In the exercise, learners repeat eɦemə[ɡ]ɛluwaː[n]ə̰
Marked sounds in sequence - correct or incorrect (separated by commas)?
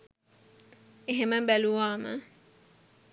incorrect, incorrect